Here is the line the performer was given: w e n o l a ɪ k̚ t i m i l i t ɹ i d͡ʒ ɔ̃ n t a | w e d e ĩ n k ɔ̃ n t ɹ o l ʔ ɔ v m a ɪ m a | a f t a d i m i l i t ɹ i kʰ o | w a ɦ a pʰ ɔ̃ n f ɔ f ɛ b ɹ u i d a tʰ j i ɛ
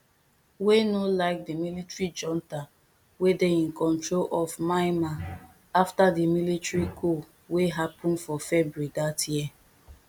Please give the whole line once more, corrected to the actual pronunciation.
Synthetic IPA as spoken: w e n o l a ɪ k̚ d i m i l i t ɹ i d͡ʒ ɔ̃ n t a | w e d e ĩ n k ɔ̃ n t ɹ o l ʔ ɔ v m a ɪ m a | a f t a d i m i l i t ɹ i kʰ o | w e ɦ a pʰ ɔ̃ n f ɔ f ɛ b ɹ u i d a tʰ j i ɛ